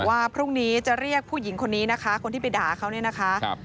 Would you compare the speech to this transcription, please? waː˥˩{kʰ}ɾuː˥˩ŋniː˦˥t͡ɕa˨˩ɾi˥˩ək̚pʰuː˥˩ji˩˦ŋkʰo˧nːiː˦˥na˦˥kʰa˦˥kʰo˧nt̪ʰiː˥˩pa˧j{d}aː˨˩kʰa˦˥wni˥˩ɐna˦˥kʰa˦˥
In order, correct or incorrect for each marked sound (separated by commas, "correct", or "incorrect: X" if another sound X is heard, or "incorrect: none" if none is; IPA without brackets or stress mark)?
incorrect: pʰ, correct